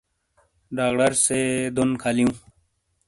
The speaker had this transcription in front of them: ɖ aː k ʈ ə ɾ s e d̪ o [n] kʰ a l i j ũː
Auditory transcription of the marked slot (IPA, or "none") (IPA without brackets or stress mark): n